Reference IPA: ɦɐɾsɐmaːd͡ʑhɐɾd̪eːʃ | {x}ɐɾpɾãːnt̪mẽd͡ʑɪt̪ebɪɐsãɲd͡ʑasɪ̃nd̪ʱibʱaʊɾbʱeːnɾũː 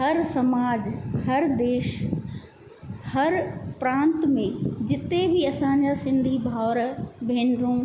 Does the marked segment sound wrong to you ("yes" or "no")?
yes